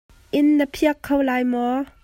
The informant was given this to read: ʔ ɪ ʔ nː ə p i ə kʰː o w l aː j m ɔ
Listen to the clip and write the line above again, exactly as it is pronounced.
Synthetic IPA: ʔ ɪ nː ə pʰ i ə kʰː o w l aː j m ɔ